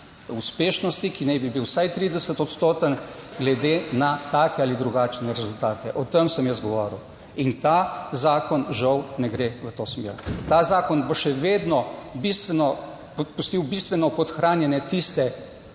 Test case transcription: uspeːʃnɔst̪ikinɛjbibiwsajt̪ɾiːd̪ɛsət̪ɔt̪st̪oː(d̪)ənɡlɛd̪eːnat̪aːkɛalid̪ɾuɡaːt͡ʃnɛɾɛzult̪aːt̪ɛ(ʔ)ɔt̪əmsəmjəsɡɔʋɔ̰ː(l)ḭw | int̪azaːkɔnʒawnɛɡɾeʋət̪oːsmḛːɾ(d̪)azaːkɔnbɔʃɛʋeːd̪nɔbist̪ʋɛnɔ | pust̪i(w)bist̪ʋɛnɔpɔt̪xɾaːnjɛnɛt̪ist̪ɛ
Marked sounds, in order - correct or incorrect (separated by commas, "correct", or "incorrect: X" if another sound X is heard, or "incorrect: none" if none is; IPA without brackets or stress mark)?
incorrect: t̪, correct, incorrect: ɾ, incorrect: t̪, correct